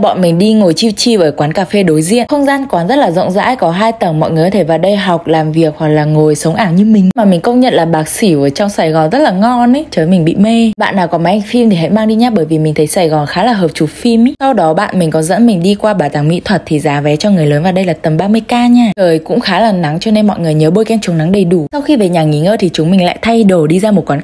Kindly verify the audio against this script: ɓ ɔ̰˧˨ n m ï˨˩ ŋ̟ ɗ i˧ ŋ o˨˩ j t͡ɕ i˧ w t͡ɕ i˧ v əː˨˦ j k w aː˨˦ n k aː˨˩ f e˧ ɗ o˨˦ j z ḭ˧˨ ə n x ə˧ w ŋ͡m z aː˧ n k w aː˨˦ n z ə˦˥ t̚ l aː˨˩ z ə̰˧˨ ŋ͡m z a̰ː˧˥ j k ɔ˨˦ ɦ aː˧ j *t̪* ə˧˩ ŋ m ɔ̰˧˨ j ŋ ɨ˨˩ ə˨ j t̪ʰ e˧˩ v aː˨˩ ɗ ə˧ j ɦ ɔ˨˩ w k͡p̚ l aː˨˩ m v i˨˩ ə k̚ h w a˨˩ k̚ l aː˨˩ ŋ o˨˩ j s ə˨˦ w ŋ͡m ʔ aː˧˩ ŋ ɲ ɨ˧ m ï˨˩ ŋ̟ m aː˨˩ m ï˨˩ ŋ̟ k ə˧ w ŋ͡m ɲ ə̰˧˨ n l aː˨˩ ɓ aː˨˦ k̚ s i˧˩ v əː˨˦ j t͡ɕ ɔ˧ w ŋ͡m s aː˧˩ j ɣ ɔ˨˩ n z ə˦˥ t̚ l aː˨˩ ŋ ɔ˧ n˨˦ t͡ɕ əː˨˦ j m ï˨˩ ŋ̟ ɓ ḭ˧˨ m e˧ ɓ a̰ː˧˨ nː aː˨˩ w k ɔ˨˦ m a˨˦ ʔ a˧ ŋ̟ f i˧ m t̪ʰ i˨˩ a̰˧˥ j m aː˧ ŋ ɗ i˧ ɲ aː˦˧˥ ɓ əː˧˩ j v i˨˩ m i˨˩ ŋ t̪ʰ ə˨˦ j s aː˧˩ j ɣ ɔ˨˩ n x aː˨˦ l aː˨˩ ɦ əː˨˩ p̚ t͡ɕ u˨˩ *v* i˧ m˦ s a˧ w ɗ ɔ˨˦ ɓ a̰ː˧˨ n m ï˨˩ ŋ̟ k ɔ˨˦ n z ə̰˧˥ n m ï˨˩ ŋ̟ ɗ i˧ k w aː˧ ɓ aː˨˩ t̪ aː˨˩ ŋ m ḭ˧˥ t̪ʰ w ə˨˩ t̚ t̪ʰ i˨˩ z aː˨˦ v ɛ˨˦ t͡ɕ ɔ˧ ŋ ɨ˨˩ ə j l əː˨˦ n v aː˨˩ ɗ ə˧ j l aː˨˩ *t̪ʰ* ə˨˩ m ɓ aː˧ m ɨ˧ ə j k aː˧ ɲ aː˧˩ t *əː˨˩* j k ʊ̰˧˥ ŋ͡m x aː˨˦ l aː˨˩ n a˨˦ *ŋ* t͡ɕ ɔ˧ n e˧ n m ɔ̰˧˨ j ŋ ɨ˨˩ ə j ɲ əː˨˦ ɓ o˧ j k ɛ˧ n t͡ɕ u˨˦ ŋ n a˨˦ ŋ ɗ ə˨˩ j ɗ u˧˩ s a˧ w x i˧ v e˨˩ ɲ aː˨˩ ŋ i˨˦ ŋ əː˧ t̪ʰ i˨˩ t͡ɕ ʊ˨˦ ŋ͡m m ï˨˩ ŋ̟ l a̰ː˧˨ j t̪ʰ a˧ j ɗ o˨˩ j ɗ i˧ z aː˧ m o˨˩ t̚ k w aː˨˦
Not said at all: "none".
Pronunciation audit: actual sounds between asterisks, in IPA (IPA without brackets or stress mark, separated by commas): t̪, f, t̪, əː˨˩, ŋ